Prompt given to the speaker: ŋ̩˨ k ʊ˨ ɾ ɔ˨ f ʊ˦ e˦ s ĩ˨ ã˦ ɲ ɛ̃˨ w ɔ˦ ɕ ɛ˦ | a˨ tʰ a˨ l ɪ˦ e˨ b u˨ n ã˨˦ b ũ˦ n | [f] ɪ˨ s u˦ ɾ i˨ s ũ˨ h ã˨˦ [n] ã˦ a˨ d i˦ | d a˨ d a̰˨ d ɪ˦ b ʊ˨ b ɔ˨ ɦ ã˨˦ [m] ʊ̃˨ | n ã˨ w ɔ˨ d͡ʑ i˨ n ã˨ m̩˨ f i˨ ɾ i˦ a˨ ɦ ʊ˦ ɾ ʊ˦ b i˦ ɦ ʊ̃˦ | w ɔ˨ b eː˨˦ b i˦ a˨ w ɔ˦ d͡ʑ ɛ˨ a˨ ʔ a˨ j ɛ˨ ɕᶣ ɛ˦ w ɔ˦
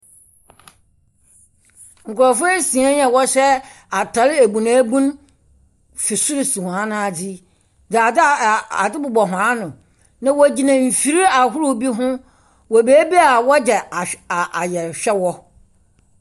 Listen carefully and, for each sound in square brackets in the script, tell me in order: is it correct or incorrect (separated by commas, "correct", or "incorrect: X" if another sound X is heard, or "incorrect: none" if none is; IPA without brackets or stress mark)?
correct, correct, incorrect: n